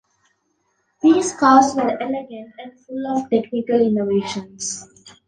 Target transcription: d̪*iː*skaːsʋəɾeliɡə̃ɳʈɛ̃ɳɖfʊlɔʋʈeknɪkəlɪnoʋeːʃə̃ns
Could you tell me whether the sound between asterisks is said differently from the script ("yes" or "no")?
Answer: no